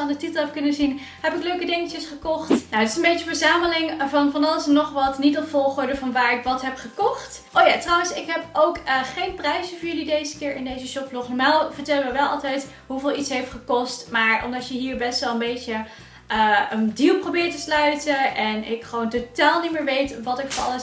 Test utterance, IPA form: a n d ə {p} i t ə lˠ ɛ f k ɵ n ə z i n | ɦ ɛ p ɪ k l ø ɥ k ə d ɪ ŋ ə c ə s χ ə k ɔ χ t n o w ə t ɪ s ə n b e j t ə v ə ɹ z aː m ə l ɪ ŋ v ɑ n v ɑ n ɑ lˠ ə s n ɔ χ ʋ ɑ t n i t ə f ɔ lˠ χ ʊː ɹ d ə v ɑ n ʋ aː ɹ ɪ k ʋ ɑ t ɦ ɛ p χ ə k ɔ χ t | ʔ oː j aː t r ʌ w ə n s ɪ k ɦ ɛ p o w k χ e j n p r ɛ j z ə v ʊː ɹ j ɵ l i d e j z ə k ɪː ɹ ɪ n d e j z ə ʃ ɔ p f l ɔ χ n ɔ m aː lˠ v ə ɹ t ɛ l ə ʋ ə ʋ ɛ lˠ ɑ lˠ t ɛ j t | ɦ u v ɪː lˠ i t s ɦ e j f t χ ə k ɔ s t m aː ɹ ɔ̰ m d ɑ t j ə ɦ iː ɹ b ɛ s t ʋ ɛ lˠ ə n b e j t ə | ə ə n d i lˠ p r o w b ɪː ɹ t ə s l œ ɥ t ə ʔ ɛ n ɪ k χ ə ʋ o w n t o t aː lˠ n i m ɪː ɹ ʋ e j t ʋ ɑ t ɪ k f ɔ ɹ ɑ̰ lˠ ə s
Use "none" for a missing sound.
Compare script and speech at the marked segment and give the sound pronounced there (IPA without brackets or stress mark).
t